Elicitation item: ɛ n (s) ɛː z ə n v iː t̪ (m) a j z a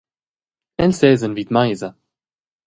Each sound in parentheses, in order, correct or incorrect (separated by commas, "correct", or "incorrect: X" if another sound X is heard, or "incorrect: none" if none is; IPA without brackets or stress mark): correct, correct